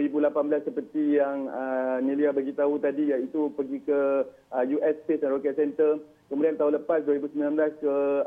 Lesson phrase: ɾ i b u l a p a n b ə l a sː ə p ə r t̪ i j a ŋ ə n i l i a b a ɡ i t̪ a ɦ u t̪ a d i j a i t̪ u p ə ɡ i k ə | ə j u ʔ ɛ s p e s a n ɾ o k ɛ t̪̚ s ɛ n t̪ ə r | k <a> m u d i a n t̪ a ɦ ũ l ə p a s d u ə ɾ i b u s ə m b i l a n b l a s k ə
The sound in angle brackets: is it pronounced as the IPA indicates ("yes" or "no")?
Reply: no